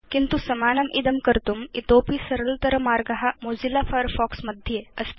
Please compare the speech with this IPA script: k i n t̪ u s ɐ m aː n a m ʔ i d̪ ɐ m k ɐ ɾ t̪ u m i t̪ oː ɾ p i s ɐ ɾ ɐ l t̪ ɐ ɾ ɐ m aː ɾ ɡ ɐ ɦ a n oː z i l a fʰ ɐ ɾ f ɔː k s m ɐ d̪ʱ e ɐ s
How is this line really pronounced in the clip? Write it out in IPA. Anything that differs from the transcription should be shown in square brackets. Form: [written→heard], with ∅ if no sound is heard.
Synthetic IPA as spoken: k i n t̪ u s ɐ m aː n [a→ɐ] m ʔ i d̪ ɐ m k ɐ ɾ t̪ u m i t̪ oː [ɾ→∅] p i s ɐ ɾ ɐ l t̪ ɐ ɾ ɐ m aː ɾ ɡ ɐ ɦ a [n→m] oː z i l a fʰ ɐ ɾ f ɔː k s m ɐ d̪ʱ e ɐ s